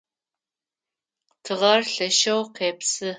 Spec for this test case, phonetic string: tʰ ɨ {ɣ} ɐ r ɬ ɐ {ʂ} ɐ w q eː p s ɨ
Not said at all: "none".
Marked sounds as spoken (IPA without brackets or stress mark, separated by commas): ʁ, ʃ